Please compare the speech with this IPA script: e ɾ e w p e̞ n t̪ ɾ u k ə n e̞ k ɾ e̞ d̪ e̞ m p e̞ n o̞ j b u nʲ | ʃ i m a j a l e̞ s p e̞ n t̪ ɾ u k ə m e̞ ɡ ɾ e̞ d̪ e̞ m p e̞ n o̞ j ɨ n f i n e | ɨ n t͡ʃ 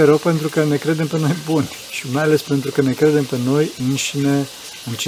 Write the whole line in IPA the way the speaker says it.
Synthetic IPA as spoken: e ɾ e w p e̞ n t̪ ɾ u k ə n e̞ k ɾ e̞ d̪ e̞ m p e̞ n o̞ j b u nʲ | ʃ i m a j a l e̞ s p e̞ n t̪ ɾ u k ə n e̞ k ɾ e̞ d̪ e̞ m p e̞ n o̞ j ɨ n ʃ i n e | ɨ n t͡ʃ